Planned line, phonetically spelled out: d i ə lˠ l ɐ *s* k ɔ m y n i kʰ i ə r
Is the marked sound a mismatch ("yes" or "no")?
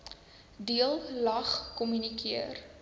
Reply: yes